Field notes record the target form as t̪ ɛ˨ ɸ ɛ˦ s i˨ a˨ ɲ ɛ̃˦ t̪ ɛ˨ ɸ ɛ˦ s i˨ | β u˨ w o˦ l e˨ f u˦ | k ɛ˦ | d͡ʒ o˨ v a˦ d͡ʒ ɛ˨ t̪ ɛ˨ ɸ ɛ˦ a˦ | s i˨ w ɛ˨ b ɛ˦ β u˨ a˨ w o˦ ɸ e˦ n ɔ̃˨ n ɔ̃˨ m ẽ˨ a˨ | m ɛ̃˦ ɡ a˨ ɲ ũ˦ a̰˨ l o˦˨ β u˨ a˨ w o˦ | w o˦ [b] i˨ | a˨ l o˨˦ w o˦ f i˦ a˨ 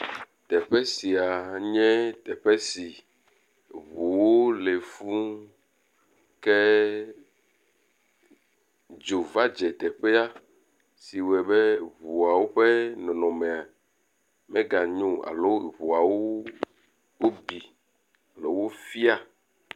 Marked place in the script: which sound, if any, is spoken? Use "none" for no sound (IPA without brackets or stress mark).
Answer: b